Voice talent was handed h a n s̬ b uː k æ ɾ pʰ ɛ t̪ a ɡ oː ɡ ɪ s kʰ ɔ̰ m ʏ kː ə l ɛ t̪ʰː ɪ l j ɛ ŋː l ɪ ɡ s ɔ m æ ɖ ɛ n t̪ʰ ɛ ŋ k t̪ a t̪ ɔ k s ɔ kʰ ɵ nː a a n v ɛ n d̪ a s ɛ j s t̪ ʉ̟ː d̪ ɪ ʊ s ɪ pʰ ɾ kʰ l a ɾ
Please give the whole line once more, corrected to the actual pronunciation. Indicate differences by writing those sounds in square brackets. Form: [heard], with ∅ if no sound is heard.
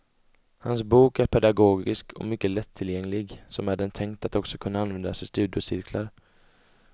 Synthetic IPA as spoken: h a n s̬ b uː k æ ɾ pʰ ɛ [d̪] a ɡ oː ɡ ɪ s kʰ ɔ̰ m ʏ kː ə l ɛ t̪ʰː ɪ l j ɛ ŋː l ɪ ɡ s ɔ m æ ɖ ɛ n t̪ʰ ɛ ŋ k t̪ a t̪ ɔ k s ɔ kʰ ɵ nː a a n v ɛ n d̪ a s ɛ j s t̪ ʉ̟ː d̪ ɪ ʊ s ɪ [∅] ɾ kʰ l a ɾ

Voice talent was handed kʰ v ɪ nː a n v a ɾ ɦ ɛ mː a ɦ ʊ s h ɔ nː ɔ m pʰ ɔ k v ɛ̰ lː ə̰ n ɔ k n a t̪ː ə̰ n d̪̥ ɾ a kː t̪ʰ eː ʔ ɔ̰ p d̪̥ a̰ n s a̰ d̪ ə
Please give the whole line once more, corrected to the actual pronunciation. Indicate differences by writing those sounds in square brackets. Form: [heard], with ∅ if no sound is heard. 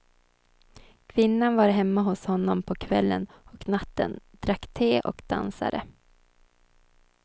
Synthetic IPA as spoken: kʰ v ɪ nː a n v a ɾ ɦ ɛ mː a ɦ ʊ s h ɔ nː ɔ m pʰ ɔ [kʰ] v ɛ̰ lː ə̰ n ɔ k n a t̪ː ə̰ n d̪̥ ɾ a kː t̪ʰ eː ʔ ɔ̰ [k] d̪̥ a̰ n s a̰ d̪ ə

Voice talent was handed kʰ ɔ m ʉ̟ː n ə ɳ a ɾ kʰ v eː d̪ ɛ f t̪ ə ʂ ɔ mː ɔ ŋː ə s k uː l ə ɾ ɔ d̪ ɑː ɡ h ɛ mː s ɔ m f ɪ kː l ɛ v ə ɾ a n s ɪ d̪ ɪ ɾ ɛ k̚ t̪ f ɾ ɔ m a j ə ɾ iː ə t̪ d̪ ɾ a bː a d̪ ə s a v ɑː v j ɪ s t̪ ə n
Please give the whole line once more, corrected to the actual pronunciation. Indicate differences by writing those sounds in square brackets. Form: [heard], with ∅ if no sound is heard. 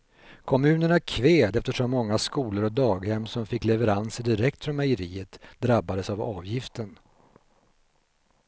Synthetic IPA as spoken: kʰ ɔ m ʉ̟ː n ə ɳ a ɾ kʰ v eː d̪ ɛ f t̪ ə ʂ ɔ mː ɔ ŋː [a] s k uː l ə ɾ ɔ d̪ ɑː ɡ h ɛ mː s ɔ m f ɪ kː l ɛ v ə ɾ a n s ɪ d̪ ɪ ɾ ɛ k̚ t̪ f ɾ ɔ m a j ə ɾ iː ə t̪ d̪ ɾ a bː a d̪ ə s a v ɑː v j ɪ [f] t̪ ə n

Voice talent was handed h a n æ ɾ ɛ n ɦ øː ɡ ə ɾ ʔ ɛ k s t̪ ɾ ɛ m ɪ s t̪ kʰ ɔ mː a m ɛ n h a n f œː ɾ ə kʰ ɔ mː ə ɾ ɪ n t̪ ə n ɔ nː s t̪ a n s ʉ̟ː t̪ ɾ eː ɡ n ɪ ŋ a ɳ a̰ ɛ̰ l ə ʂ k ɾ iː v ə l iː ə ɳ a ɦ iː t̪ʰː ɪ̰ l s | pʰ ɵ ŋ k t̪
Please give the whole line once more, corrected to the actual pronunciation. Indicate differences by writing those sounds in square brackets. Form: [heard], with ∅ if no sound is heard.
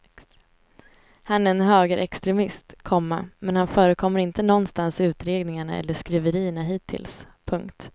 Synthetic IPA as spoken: h a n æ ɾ ɛ n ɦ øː ɡ ə ɾ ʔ ɛ k s t̪ ɾ ɛ m ɪ s t̪ kʰ ɔ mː a m ɛ n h a n f œː ɾ ə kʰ ɔ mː ə ɾ ɪ n t̪ ə n ɔ nː s t̪ a n s ʉ̟ː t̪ ɾ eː ɡ n ɪ ŋ a ɳ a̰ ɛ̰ [lː] ə ʂ k ɾ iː v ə [ɾ] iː ə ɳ a ɦ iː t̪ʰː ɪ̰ l s | pʰ ɵ ŋ k t̪

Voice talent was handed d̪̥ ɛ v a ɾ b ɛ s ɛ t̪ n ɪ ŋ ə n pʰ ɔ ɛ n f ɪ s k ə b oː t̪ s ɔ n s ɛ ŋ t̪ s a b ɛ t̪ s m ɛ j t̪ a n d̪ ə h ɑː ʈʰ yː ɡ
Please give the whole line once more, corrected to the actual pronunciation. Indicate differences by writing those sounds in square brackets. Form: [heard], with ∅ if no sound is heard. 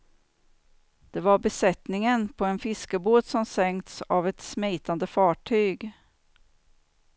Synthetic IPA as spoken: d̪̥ ɛ v a ɾ b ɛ s ɛ t̪ n ɪ ŋ ə n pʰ ɔ ɛ n f ɪ s k ə b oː t̪ s ɔ [m] s ɛ ŋ t̪ s a [v] ɛ t̪ s m ɛ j t̪ a n d̪ ə [f] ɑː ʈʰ yː ɡ

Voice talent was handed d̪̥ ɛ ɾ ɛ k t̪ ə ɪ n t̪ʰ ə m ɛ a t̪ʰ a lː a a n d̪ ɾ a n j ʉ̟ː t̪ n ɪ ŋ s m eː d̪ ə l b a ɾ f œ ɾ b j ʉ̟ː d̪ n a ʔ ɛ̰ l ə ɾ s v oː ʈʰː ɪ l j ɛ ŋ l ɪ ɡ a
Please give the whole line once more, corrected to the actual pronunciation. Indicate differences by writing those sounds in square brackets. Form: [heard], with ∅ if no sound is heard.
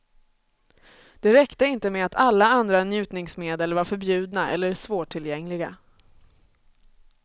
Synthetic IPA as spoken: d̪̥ ɛ ɾ ɛ k t̪ ə ɪ n [t̪] ə m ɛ a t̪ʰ a lː a a n d̪ ɾ a n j ʉ̟ː t̪ n ɪ ŋ s m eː d̪ ə l [v] a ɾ f œ ɾ b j ʉ̟ː d̪ n a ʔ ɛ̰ [lː] ə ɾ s v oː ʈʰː ɪ l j ɛ ŋ l ɪ ɡ a

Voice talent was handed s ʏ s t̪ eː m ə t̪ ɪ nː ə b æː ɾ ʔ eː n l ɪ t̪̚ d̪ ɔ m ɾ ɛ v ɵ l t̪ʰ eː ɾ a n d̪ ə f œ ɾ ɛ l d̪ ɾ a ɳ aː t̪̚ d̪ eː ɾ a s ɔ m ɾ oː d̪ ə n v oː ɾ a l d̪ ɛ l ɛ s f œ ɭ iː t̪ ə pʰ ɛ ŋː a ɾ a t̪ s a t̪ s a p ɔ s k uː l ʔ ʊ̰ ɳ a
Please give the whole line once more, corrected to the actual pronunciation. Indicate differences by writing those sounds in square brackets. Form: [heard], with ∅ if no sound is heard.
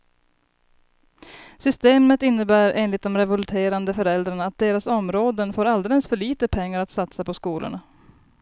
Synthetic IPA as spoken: s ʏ s t̪ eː m ə t̪ ɪ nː ə b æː ɾ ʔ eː n l ɪ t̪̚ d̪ ɔ m ɾ ɛ v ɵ l t̪ʰ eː ɾ a n d̪ ə f œ ɾ ɛ l d̪ ɾ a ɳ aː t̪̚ d̪ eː ɾ a s ɔ m ɾ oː d̪ ə n [f] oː ɾ a l d̪ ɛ l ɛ s f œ ɭ iː t̪ ə pʰ ɛ ŋː a ɾ a t̪ s a t̪ s a p ɔ s k uː l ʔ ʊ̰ ɳ a

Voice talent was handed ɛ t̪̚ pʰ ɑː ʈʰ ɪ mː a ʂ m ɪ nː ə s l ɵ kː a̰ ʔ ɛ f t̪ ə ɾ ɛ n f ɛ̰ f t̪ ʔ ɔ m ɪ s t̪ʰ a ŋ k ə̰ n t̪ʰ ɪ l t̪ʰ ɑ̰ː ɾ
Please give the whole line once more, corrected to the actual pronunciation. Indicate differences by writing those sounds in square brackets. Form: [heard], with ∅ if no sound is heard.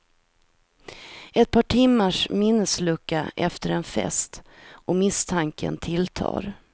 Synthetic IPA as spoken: ɛ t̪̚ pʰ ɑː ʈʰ ɪ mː a ʂ m ɪ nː ə s l ɵ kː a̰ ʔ ɛ f t̪ ə ɾ ɛ n f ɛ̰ [s] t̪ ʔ ɔ m ɪ s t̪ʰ a ŋ k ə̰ n t̪ʰ ɪ l t̪ʰ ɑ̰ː ɾ

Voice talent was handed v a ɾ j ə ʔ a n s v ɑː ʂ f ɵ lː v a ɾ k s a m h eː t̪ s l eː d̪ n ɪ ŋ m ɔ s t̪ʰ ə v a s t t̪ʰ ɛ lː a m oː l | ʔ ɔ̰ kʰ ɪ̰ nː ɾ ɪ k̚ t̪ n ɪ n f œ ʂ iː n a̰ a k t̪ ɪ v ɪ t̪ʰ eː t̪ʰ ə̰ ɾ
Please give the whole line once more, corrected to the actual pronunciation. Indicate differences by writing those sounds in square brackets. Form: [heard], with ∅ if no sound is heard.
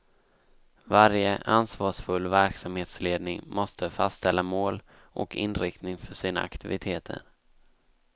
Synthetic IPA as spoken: v a ɾ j ə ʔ a n s v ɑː ʂ f ɵ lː v [æ] ɾ k s a m h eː t̪ s l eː d̪ n ɪ ŋ m ɔ s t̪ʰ ə [f] a s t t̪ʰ ɛ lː a m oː l | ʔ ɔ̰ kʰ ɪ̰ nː ɾ ɪ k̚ t̪ n ɪ [ŋ] f œ ʂ iː n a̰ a k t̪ ɪ v ɪ t̪ʰ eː t̪ʰ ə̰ ɾ

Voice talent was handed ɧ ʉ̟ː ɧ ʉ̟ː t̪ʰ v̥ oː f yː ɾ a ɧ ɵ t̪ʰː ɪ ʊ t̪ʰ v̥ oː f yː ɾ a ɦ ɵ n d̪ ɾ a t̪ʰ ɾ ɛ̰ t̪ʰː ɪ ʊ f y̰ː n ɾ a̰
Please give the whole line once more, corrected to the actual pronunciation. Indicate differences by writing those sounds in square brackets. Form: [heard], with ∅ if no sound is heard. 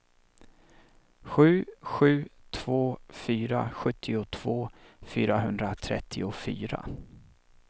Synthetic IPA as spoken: ɧ ʉ̟ː ɧ ʉ̟ː t̪ʰ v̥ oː f yː ɾ a ɧ ɵ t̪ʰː ɪ ʊ t̪ʰ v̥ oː f yː ɾ a ɦ ɵ n d̪ ɾ a t̪ʰ ɾ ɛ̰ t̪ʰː ɪ ʊ f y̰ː [∅] ɾ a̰

